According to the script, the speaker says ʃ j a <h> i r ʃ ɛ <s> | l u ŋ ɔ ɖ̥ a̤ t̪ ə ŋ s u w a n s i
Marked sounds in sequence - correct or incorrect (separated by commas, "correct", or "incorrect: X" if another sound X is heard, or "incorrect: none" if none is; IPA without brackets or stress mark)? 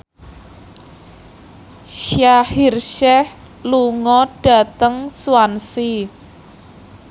correct, incorrect: h